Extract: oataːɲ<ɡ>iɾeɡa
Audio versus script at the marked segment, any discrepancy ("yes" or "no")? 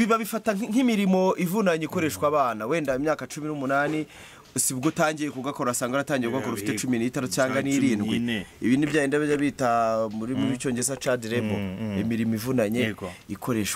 yes